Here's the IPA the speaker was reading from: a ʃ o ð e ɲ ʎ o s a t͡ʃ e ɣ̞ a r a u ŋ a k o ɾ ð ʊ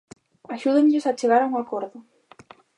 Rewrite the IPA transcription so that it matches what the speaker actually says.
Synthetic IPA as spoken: a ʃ u ð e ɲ ʎ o s a t͡ʃ e ɣ̞ a ɾ a u ŋ a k o ɾ ð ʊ